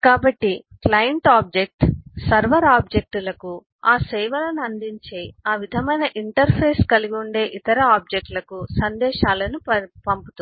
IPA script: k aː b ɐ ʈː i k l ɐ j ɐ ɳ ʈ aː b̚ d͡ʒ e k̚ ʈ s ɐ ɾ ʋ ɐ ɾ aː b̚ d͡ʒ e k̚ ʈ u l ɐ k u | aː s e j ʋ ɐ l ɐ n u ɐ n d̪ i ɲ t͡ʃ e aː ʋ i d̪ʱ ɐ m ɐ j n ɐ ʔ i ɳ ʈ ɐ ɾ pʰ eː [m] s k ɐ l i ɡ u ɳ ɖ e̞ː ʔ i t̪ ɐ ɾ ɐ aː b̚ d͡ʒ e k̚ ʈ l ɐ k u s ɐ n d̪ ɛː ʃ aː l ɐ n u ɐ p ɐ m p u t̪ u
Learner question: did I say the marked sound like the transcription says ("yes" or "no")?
no